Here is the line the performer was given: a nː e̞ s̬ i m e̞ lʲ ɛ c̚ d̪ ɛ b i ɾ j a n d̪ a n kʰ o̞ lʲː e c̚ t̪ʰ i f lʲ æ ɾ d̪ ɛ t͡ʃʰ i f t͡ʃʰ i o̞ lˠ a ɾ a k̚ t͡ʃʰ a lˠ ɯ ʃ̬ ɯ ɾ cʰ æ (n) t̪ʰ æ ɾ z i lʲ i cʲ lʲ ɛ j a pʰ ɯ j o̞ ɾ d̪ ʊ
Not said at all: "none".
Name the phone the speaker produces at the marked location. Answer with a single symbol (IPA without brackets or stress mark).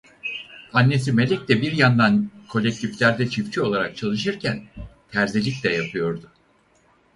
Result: n